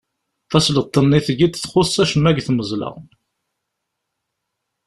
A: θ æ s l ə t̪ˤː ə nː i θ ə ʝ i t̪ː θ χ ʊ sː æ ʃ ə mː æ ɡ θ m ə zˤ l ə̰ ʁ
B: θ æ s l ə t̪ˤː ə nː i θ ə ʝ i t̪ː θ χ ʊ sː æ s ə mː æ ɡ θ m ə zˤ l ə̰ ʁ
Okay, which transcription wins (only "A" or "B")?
A